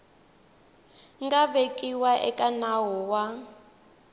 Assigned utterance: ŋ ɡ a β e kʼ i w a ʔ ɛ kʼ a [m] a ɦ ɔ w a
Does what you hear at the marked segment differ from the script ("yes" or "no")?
yes